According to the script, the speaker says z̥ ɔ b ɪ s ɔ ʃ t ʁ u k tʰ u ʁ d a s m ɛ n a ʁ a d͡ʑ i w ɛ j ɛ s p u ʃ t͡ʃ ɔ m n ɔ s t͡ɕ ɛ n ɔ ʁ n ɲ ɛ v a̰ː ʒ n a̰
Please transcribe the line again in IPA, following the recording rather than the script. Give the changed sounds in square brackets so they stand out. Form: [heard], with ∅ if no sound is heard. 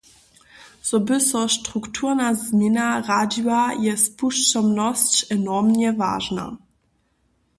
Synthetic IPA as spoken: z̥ ɔ b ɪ s ɔ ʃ t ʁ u k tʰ u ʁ [n] a [z] m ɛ n a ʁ a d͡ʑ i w [a] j ɛ s p u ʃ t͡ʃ ɔ m n ɔ s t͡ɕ ɛ n ɔ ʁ [m] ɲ ɛ v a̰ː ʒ n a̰